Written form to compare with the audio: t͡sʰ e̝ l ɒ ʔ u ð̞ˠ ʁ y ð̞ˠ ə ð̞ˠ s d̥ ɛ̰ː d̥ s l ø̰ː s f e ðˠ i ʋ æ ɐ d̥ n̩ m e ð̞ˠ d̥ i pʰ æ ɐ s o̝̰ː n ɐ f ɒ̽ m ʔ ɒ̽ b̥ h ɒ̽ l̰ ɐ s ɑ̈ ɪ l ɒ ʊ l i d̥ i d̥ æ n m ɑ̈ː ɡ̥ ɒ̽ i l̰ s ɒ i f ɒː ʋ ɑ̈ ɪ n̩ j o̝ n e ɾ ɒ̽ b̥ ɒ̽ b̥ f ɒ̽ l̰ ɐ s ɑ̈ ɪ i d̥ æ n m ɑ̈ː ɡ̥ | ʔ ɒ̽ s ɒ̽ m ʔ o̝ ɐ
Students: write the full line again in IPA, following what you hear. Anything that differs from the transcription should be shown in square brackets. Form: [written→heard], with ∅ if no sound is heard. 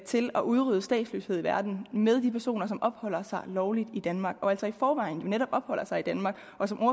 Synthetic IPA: t͡sʰ e̝ l ɒ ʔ u ð̞ˠ ʁ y ð̞ˠ ə [ð̞ˠ→∅] s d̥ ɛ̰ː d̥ s l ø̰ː s [f→h] e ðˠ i ʋ æ ɐ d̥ n̩ m e ð̞ˠ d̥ i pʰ æ ɐ s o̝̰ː n ɐ [f→s] ɒ̽ m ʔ ɒ̽ b̥ h ɒ̽ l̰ ɐ s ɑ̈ ɪ l ɒ ʊ l i d̥ i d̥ æ n m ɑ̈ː ɡ̥ ɒ̽ [i→æ] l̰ s ɒ i f ɒː ʋ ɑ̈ ɪ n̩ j o̝ n e ɾ ɒ̽ b̥ ɒ̽ b̥ [f→h] ɒ̽ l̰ ɐ s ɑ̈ ɪ i d̥ æ n m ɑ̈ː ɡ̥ | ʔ ɒ̽ s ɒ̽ m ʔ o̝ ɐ

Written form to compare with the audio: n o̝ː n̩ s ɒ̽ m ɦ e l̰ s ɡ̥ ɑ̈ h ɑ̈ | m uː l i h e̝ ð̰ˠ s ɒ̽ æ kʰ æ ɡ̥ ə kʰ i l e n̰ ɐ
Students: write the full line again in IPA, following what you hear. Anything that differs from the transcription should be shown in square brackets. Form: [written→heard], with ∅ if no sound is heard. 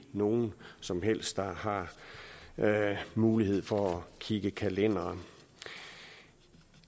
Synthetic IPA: n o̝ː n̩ s ɒ̽ m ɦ e l̰ s [ɡ̥→d̥] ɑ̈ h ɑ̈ | m uː l i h e̝ ð̰ˠ [s→f] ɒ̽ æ kʰ [æ→i] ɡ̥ ə kʰ [i→æ] l e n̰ ɐ

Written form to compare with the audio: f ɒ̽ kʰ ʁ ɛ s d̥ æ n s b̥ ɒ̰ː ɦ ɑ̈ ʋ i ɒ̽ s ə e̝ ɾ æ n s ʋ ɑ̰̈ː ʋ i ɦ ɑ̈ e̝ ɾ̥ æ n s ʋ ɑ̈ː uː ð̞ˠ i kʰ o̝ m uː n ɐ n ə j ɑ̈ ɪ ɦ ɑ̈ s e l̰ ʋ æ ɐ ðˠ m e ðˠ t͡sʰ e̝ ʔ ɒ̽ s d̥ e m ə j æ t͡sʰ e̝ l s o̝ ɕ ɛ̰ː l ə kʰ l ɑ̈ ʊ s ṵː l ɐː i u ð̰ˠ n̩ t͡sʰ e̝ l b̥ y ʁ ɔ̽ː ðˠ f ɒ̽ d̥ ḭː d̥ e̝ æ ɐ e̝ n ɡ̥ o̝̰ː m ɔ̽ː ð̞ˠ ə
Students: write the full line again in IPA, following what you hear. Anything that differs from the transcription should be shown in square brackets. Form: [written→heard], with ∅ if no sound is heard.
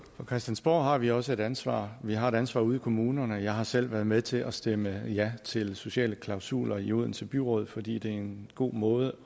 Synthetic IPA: f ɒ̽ kʰ ʁ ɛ s d̥ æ n s b̥ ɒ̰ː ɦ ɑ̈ ʋ i ɒ̽ s ə e̝ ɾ æ n s ʋ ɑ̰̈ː ʋ i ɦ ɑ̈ e̝ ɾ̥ æ n s ʋ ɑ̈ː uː ð̞ˠ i kʰ o̝ m uː n ɐ n ə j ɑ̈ ɪ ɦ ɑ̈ s e l̰ ʋ æ ɐ ðˠ m e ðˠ t͡sʰ e̝ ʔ ɒ̽ s d̥ e m ə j æ t͡sʰ e̝ l s o̝ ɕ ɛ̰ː l ə kʰ l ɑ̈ ʊ s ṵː l [ɐː→ɐ] i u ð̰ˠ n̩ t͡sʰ e̝ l b̥ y ʁ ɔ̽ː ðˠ f ɒ̽ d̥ ḭː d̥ e̝ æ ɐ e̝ n ɡ̥ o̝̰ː m ɔ̽ː ð̞ˠ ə

